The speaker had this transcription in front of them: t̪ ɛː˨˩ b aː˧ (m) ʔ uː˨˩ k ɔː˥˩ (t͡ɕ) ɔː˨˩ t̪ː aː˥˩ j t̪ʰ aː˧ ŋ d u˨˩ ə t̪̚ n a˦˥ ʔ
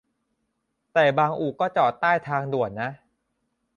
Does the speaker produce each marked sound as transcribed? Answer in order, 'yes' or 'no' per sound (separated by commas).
no, yes